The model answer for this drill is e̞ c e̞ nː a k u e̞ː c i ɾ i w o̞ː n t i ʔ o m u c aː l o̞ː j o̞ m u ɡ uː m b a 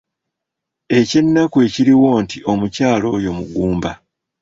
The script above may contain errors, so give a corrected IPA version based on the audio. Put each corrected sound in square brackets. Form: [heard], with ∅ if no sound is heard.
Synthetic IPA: e̞ c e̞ nː a k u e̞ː c i ɾ i w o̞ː n t i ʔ o m u c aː l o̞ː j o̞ m u ɡ uː m b a

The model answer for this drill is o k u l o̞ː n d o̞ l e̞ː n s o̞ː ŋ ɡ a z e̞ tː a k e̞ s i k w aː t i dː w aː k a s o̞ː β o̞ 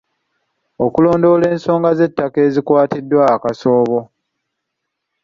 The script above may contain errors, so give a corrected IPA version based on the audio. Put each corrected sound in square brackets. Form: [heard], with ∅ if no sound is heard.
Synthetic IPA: o k u l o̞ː n d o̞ l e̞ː n s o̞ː ŋ ɡ a z e̞ tː a k e̞ [z] i k w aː t i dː w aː k a s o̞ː β o̞

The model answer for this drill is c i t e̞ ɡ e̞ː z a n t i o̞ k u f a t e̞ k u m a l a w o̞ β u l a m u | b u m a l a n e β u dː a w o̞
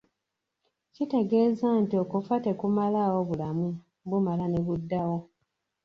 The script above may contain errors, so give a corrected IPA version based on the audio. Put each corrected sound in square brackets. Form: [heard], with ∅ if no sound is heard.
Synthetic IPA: c i t e̞ ɡ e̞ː z a n t i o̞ k u f a t e̞ k u m a l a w o̞ β u l a m u | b u m a l a n e β u dː a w o̞

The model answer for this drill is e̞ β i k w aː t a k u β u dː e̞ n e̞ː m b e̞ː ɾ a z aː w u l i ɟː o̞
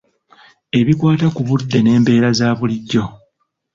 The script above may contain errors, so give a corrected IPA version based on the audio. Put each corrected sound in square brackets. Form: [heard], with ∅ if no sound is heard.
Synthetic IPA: e̞ β i k w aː t a k u β u dː e̞ n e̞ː m b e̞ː ɾ a z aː [β] u l i ɟː o̞

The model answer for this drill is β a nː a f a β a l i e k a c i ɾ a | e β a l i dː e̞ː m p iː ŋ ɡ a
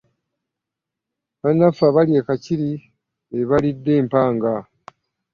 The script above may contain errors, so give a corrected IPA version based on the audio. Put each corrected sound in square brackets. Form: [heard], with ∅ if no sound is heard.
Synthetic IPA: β a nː a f a β a l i e k a c i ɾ [i] | e β a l i dː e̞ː m p [aː] ŋ ɡ a

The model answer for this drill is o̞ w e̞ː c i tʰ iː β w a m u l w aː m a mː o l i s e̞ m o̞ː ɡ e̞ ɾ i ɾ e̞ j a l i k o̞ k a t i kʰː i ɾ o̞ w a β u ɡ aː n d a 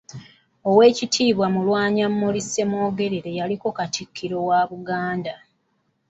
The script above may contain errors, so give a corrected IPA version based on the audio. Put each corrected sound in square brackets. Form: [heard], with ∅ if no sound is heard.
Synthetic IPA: o̞ w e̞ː c i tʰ iː β w a m u l w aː [ɲ] a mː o l i s e̞ m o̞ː ɡ e̞ ɾ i ɾ e̞ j a l i k o̞ k a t i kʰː i ɾ o̞ w a β u ɡ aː n d a

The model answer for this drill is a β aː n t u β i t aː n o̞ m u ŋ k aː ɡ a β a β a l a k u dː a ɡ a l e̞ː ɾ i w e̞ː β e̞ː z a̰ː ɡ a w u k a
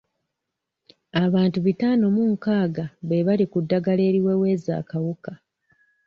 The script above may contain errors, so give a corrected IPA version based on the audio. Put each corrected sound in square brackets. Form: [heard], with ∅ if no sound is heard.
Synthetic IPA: a β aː n t u β i t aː n o̞ m u ŋ k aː ɡ a β [e] β a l [i] k u dː a ɡ a l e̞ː ɾ i w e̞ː [w] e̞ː z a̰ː [k] a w u k a

